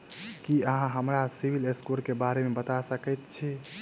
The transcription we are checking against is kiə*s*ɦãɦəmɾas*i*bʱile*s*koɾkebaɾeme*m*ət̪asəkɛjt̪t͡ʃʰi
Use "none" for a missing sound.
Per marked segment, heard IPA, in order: none, i, s, b

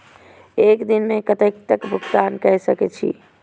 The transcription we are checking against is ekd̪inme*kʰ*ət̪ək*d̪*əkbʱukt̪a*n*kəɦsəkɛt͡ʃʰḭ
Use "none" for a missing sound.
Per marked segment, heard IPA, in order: k, t̪, n

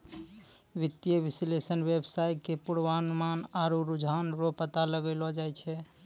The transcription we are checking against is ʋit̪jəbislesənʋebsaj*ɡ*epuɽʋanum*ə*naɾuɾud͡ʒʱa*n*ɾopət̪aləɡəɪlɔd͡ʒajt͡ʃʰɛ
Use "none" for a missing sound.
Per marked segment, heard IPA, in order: k, a, n

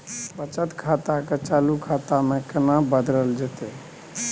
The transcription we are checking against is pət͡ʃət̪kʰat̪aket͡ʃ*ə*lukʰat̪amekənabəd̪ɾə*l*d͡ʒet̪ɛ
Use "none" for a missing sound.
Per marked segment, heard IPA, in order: a, l

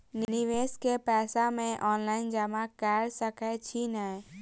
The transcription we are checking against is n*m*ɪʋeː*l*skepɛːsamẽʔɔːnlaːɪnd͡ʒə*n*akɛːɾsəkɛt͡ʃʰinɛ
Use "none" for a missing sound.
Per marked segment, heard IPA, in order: n, none, m

